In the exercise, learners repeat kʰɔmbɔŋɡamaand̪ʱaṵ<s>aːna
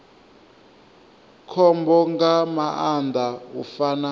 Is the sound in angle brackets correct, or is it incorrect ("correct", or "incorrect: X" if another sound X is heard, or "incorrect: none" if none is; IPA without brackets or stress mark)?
incorrect: f